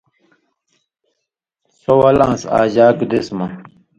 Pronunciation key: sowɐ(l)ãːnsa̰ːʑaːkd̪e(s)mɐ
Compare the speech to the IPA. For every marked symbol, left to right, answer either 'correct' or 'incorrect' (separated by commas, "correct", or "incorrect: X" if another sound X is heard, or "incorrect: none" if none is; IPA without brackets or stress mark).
correct, correct